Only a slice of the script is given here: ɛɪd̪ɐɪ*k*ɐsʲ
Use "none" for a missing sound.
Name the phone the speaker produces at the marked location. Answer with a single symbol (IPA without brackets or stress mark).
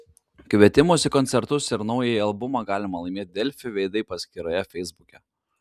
p